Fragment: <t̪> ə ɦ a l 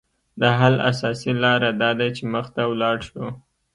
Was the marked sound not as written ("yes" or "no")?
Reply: yes